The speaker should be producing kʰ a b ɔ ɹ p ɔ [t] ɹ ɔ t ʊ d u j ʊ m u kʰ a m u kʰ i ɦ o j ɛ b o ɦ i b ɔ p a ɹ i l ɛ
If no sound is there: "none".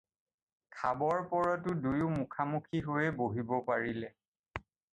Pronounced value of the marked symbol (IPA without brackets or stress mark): none